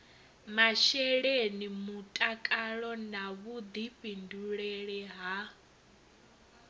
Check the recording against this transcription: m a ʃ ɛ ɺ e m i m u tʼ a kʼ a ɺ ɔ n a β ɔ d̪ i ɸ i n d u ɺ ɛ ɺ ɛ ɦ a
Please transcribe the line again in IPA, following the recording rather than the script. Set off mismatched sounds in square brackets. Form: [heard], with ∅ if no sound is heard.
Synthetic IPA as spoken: m a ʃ ɛ ɺ e [n] i m u tʼ a kʼ a ɺ ɔ n a β [u] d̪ i ɸ i n d u ɺ ɛ ɺ ɛ ɦ a